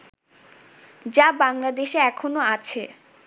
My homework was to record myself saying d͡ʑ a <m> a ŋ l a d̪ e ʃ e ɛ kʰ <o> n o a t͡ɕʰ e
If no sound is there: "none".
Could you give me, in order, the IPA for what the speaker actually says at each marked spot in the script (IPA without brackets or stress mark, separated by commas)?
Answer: b, o